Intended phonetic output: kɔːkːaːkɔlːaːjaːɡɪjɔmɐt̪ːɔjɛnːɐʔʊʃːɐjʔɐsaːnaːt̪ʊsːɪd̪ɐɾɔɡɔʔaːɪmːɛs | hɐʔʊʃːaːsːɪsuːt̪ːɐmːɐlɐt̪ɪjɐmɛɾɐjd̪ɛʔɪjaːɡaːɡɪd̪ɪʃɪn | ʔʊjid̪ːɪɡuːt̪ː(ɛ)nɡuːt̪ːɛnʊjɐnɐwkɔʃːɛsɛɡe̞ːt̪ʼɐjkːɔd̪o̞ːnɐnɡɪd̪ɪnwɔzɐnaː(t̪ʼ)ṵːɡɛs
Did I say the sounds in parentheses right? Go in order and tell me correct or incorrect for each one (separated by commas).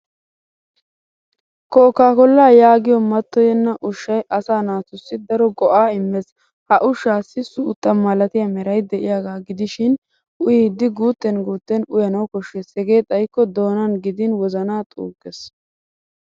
correct, correct